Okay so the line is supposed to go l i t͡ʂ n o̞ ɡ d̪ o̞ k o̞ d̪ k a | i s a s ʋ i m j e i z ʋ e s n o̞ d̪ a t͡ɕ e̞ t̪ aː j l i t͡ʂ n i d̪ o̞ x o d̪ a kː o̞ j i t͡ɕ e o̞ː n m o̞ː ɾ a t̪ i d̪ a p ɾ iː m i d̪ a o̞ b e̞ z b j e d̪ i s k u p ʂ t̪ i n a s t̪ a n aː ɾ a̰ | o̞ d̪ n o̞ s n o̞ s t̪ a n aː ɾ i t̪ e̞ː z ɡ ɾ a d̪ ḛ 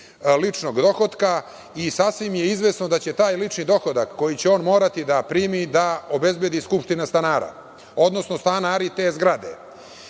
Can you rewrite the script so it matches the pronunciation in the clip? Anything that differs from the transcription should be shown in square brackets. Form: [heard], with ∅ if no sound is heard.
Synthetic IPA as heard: l i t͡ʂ n o̞ ɡ d̪ o̞ [x] o̞ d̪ k a | i s a s ʋ i m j e i z ʋ e s n o̞ d̪ a t͡ɕ e̞ t̪ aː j l i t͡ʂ n i d̪ o̞ x o d̪ a kː o̞ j i t͡ɕ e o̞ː n m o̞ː ɾ a t̪ i d̪ a p ɾ iː m i d̪ a o̞ b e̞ z b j e d̪ i s k u p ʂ t̪ i n a s t̪ a n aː ɾ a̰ | o̞ d̪ n o̞ s n o̞ s t̪ a n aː ɾ i t̪ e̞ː z ɡ ɾ a d̪ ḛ